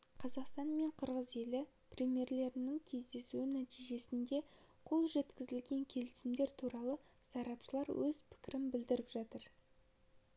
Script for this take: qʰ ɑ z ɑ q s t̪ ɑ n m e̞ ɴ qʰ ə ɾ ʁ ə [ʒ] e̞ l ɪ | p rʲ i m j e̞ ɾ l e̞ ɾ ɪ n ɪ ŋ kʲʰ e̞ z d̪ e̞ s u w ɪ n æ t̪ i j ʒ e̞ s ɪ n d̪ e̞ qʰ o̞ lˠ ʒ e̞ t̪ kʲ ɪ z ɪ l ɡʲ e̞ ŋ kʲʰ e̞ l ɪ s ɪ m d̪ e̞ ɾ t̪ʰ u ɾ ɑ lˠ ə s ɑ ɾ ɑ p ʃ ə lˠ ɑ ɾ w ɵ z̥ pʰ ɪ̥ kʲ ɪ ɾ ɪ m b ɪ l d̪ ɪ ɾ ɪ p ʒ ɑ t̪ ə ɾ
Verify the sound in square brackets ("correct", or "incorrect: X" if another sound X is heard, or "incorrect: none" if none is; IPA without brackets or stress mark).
incorrect: z